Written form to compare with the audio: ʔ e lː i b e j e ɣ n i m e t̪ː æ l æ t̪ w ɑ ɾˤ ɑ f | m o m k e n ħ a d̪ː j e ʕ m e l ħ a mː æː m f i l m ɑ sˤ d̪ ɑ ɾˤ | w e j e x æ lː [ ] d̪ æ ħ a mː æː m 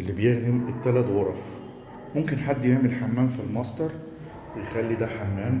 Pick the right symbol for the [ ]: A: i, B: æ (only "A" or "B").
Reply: A